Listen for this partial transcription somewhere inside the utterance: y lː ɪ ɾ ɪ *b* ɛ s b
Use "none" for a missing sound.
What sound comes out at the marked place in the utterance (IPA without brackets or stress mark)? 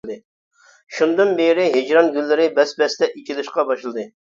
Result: b